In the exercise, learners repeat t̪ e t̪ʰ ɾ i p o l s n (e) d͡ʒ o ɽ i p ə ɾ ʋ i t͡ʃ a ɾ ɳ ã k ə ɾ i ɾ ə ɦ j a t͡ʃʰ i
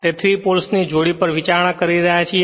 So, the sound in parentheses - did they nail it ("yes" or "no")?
no